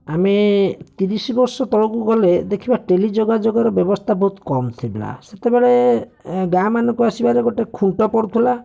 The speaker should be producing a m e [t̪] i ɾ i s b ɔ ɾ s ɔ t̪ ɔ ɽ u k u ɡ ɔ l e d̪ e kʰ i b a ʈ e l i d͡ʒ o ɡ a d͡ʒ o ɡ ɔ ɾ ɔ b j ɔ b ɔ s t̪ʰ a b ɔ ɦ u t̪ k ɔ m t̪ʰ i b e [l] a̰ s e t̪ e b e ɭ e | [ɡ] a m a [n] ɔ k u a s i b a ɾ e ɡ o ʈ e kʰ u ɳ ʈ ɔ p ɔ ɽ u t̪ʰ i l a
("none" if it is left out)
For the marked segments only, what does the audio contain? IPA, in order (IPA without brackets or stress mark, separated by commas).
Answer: t̪, l, ɡ, n